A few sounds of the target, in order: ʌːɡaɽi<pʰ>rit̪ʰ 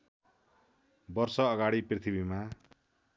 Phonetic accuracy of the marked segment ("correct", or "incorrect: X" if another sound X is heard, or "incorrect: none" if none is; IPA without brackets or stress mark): incorrect: p